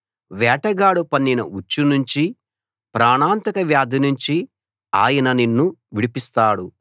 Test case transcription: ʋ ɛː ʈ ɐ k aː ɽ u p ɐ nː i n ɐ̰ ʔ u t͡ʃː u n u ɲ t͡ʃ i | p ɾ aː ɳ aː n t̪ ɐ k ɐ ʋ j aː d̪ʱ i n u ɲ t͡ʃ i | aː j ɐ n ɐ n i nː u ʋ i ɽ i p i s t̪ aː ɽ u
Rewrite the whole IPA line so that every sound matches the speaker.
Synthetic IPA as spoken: ʋ ɛː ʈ ɐ ɡ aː ɽ u p ɐ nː i n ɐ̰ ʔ u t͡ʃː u n u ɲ t͡ʃ i | p ɾ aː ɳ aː n t̪ ɐ k ɐ ʋ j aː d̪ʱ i n u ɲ t͡ʃ i | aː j ɐ n ɐ n i nː u ʋ i ɽ i p i s t̪ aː ɽ u